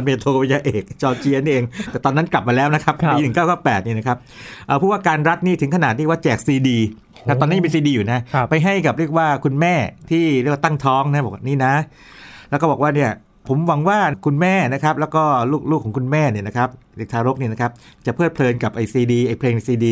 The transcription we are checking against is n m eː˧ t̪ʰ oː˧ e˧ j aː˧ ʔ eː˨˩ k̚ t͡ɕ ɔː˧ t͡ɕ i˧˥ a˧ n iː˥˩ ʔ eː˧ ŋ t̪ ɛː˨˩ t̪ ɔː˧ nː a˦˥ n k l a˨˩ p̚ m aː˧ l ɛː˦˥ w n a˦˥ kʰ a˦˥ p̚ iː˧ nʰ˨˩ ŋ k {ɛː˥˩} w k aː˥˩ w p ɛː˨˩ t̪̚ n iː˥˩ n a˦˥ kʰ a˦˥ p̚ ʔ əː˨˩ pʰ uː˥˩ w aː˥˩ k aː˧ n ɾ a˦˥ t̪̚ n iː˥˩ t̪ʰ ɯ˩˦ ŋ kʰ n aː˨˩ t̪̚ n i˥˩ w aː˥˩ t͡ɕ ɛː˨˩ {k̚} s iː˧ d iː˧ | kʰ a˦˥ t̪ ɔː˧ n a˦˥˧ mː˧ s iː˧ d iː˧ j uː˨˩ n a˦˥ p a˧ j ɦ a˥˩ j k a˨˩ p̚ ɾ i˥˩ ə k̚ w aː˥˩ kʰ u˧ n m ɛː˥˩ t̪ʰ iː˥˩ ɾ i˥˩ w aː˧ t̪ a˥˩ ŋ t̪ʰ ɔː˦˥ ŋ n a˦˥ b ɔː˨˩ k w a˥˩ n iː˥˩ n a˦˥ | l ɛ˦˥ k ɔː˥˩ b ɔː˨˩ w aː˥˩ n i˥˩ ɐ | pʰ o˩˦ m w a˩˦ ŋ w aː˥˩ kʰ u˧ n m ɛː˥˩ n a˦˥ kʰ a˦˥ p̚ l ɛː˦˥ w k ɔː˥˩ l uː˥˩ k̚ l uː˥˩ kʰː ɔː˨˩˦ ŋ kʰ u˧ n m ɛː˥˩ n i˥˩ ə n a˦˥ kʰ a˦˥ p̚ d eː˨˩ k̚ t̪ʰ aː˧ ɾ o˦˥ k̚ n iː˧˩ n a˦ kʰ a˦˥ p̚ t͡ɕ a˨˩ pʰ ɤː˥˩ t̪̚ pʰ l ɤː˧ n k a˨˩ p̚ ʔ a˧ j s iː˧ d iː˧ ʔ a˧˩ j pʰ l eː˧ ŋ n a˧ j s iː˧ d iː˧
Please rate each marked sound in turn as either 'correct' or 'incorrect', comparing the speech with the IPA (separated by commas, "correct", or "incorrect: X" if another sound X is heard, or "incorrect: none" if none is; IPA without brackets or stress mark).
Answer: incorrect: aː˥˩, correct